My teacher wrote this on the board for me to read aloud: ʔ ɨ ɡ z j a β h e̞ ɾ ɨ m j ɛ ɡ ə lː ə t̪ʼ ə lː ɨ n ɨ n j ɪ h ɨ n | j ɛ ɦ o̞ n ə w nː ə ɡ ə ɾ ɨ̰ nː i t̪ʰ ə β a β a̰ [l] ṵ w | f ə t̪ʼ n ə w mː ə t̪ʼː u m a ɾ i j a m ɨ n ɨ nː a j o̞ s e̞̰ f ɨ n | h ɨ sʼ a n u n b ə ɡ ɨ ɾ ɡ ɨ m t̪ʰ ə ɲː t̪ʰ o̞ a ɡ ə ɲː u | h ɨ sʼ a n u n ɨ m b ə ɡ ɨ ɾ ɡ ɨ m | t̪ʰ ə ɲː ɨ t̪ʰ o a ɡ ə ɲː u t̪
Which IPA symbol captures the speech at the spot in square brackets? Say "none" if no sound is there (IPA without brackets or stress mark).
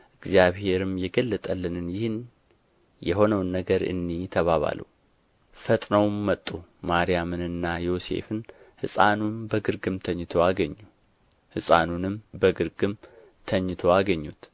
l